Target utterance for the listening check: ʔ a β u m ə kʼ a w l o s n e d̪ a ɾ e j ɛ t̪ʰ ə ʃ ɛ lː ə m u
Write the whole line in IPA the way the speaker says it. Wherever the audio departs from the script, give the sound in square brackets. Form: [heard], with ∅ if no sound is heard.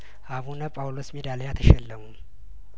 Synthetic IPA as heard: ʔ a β u [n] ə [pʼ] a w l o s [m] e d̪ a [l] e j [a] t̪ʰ ə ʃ ɛ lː ə m u